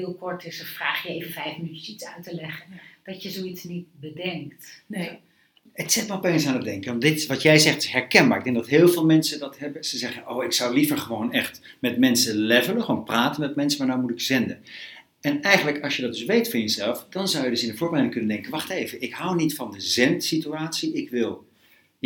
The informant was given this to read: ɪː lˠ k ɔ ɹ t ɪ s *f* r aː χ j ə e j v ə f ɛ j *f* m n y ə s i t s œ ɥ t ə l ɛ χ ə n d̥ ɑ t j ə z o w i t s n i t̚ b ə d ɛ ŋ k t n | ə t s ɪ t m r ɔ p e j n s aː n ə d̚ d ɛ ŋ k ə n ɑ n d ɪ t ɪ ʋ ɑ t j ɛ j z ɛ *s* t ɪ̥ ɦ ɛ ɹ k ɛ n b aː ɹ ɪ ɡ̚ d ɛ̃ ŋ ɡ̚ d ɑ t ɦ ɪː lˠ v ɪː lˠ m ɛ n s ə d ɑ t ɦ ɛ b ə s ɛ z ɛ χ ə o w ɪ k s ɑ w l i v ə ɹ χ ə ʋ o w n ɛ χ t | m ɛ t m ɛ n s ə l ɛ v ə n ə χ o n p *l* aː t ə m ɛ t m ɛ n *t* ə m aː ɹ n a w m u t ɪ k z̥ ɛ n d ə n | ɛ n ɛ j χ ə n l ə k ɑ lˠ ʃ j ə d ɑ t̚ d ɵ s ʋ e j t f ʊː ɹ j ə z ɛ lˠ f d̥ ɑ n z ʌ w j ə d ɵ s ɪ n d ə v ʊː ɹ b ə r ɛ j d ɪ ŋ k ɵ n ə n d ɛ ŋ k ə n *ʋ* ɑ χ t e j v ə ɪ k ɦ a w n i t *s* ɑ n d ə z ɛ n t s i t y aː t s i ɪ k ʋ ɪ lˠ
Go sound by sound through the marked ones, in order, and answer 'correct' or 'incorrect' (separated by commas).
correct, correct, incorrect, incorrect, incorrect, correct, incorrect